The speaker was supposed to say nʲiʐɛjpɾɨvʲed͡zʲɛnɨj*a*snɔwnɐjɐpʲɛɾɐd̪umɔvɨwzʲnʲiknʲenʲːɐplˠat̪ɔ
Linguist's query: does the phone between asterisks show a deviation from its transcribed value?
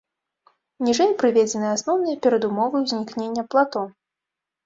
no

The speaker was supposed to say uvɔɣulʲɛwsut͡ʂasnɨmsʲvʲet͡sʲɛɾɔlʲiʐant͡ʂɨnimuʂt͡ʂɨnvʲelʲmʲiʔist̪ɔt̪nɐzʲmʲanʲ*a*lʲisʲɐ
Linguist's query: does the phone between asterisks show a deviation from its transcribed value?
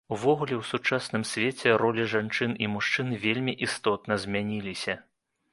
yes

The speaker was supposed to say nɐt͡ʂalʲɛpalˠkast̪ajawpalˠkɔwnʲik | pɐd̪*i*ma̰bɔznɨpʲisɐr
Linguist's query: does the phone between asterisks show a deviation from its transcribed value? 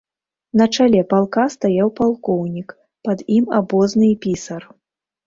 no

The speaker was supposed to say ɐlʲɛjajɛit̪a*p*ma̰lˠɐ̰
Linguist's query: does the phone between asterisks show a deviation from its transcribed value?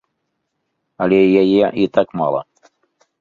yes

